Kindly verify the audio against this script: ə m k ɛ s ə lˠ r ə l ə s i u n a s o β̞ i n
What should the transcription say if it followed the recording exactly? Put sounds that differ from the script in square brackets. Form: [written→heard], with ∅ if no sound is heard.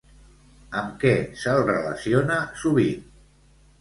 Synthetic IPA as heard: ə m k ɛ s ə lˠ r ə l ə s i [u→o] n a s [o→u] β̞ i n